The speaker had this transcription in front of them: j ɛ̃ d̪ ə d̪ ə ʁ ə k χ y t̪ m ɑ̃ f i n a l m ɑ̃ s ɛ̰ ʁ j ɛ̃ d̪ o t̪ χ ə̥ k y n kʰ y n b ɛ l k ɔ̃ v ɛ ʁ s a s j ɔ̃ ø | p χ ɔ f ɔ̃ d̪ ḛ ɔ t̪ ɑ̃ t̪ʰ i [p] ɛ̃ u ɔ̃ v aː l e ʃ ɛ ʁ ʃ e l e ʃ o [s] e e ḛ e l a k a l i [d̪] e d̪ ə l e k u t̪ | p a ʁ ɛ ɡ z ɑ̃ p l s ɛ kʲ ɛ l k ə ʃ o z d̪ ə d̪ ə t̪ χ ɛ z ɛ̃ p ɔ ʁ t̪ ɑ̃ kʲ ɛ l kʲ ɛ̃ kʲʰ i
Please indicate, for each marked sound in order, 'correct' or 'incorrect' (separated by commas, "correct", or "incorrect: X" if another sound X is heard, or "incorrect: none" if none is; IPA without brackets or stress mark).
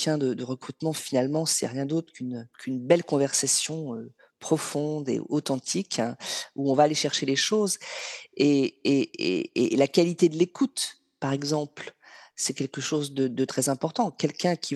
incorrect: k, incorrect: z, incorrect: t̪